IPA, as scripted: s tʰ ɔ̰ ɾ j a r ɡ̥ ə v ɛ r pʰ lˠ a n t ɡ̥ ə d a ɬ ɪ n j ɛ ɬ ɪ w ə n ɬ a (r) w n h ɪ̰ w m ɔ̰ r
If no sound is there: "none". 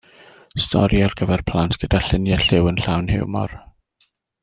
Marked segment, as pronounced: none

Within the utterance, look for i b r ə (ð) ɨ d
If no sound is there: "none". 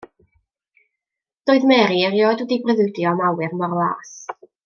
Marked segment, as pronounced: ð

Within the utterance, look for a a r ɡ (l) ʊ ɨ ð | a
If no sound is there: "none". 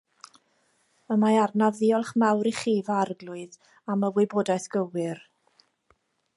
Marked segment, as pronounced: l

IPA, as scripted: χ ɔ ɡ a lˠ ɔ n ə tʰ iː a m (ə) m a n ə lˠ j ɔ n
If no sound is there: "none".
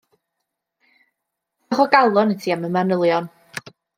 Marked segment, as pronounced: ə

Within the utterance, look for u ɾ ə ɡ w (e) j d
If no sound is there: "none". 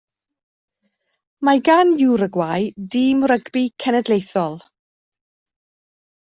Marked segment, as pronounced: a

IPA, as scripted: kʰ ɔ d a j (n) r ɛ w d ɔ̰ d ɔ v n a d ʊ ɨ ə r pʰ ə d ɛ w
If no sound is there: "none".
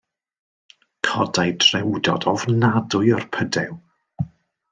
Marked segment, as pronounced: d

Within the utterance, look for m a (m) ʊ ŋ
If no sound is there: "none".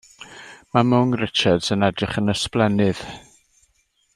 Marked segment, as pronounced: m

